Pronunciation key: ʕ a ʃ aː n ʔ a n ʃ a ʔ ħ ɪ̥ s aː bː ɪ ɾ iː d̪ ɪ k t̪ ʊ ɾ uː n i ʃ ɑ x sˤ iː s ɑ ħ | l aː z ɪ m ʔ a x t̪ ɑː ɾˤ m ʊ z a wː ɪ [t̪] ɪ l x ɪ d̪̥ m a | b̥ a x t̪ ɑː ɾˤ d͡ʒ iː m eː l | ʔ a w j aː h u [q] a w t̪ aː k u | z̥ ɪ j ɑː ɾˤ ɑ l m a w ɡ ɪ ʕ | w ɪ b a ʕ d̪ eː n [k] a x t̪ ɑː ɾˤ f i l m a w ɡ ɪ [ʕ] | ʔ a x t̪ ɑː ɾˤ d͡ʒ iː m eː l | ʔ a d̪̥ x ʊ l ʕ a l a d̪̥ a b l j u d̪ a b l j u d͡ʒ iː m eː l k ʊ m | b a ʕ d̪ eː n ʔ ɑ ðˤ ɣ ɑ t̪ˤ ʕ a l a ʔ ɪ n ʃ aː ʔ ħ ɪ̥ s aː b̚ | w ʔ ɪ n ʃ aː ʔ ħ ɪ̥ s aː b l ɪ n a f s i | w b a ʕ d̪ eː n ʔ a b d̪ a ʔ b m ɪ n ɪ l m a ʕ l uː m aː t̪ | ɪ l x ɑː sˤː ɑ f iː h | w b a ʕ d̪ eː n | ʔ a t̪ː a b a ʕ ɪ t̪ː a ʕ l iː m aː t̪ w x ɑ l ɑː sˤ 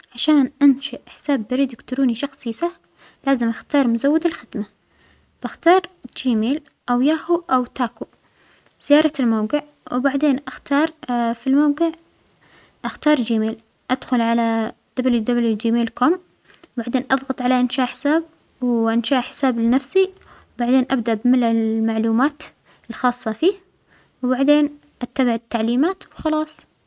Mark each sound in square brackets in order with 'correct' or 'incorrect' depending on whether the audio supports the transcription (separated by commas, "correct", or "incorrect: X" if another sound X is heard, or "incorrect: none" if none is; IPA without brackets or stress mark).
incorrect: d̪, incorrect: ʔ, incorrect: ʔ, correct